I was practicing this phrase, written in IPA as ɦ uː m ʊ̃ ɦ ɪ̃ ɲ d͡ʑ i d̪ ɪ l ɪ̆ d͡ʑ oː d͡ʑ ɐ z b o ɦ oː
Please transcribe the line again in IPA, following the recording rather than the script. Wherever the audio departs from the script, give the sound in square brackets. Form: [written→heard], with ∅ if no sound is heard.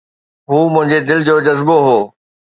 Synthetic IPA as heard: ɦ uː m ʊ̃ ɦ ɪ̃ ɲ d͡ʑ [i→e] d̪ ɪ l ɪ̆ d͡ʑ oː d͡ʑ ɐ z b o ɦ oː